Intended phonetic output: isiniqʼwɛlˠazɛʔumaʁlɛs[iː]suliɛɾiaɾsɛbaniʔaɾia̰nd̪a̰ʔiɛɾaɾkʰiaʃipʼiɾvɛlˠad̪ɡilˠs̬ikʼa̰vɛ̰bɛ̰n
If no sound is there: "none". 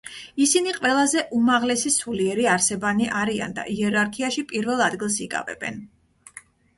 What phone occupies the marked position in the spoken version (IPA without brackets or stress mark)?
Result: i